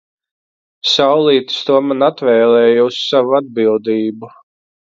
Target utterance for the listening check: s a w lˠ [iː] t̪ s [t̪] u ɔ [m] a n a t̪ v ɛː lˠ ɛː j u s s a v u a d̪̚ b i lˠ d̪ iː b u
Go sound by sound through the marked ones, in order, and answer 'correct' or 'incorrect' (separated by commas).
correct, correct, correct